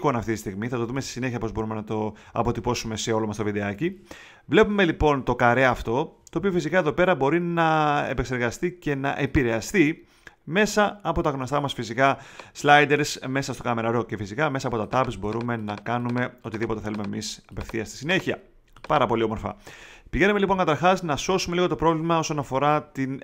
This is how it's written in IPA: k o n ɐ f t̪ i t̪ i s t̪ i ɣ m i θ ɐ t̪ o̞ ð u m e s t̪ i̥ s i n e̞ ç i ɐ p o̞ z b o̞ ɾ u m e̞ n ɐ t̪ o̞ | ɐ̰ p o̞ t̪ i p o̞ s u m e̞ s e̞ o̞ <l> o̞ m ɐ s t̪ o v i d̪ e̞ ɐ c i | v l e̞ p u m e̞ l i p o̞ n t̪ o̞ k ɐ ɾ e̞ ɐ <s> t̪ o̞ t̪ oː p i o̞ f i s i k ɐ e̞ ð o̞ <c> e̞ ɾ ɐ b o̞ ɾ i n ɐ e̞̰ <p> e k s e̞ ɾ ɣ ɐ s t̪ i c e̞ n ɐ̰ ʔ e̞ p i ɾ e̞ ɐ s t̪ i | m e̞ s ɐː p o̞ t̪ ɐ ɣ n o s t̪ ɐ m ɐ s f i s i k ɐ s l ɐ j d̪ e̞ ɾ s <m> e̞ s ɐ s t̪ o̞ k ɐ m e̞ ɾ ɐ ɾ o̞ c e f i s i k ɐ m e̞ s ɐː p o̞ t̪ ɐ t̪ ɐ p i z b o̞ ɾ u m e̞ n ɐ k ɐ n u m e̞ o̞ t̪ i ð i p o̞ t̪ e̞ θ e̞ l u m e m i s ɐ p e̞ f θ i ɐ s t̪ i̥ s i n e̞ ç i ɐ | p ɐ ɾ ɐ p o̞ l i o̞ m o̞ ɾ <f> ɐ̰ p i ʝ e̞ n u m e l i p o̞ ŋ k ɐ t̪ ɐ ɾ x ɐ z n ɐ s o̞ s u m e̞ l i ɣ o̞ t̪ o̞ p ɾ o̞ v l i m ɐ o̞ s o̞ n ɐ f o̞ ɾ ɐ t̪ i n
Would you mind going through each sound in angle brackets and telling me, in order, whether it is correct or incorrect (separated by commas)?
correct, incorrect, incorrect, correct, correct, correct